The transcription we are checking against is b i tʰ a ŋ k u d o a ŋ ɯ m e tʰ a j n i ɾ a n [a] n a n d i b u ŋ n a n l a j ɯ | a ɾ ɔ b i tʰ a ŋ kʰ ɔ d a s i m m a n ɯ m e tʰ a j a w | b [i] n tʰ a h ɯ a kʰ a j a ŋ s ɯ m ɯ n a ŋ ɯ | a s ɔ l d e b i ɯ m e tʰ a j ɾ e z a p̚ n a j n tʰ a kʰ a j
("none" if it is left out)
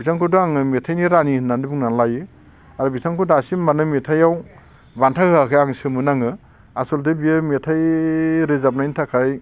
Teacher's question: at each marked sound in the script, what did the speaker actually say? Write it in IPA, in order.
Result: i, a

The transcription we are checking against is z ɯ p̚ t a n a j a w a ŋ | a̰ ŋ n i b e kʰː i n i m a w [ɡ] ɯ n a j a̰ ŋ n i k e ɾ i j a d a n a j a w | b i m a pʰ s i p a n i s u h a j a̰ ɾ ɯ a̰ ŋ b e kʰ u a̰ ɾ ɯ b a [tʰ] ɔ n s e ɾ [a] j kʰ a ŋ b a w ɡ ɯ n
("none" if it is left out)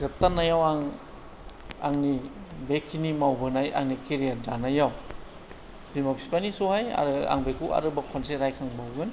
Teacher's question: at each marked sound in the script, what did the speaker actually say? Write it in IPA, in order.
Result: b, kʰ, a

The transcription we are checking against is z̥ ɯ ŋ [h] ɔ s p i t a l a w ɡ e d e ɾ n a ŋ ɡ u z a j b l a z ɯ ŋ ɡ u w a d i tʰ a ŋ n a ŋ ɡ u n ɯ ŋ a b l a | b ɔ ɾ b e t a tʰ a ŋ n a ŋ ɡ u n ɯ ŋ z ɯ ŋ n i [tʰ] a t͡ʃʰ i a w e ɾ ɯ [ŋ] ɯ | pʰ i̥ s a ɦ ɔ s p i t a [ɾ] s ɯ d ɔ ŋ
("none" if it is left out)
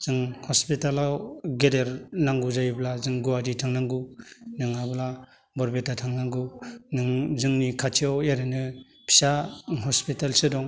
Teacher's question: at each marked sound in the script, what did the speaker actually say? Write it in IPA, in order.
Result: h, kʰ, n, l

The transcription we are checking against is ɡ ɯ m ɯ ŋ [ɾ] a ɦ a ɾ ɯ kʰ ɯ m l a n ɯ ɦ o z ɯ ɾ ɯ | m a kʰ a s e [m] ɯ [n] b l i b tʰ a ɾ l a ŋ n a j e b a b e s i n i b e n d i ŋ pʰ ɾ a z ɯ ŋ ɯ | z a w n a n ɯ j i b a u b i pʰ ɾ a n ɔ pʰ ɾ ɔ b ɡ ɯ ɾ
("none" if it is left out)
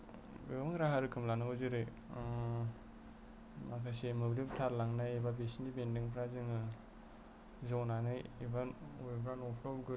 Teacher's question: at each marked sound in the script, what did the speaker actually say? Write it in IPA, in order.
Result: ɾ, m, none

